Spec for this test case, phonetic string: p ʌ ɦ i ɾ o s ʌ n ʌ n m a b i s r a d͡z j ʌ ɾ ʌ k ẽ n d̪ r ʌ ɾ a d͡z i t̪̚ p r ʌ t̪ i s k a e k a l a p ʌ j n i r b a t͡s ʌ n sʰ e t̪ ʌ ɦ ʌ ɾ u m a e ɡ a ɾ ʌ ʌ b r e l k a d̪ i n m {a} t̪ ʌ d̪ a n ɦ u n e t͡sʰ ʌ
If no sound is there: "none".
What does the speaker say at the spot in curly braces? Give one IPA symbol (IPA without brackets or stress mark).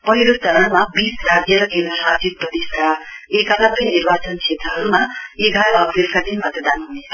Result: ʌ